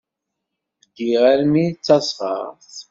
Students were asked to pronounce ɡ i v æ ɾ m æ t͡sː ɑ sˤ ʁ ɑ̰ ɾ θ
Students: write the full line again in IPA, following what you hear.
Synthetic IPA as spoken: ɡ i ʁ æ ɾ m i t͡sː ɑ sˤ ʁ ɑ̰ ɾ θ